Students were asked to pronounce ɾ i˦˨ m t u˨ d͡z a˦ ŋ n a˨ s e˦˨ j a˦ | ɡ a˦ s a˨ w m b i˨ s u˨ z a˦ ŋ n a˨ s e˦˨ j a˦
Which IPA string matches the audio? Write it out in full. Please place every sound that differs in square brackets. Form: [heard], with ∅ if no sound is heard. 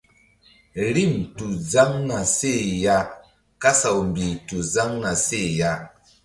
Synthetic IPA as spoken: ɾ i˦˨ m t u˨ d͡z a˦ ŋ n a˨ s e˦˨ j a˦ | [k] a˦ s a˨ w m b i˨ [t] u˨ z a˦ ŋ n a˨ s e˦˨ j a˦